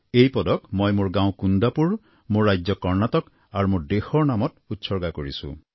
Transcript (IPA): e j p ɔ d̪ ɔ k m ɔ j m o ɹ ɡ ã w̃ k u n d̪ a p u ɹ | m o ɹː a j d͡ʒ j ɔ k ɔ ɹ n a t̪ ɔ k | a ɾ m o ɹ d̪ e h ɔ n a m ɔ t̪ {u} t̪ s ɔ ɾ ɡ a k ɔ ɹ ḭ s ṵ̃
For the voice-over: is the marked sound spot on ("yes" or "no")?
yes